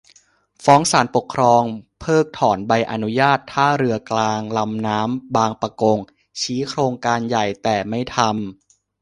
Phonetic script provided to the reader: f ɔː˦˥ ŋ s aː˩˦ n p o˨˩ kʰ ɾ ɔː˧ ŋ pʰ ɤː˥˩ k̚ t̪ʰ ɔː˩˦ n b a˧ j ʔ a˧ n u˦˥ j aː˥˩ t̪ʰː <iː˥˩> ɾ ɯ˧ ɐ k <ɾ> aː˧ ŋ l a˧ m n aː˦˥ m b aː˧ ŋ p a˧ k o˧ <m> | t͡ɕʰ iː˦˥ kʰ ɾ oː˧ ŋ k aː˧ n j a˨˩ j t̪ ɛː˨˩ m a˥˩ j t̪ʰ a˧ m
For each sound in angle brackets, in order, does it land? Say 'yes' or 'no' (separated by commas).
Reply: no, no, no